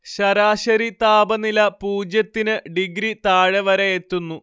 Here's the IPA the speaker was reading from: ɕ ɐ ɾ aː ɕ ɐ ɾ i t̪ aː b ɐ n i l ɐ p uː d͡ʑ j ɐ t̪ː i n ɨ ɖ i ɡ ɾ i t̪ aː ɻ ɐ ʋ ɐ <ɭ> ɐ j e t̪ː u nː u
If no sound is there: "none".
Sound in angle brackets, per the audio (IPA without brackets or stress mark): ɾ